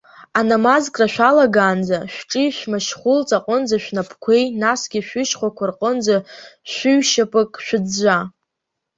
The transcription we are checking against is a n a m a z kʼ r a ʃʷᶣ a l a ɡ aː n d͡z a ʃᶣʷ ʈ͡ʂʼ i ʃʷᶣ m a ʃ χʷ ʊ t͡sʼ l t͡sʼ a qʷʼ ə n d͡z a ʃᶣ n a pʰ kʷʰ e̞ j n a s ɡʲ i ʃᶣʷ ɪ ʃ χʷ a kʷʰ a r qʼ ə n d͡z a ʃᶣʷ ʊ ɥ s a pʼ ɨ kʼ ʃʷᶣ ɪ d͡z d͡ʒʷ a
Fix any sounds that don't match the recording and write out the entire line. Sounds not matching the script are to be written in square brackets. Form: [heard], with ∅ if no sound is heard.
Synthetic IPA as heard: a n a m a z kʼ r a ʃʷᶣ a l a ɡ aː n d͡z a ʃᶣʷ ʈ͡ʂʼ i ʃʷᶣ m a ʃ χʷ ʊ [∅] l t͡sʼ a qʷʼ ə n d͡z a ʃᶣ n a pʰ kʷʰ e̞ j n a s ɡʲ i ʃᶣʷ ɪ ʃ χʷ a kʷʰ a r qʼ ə n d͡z a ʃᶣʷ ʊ ɥ [ʃ] a pʼ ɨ kʼ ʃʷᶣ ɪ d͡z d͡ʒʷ a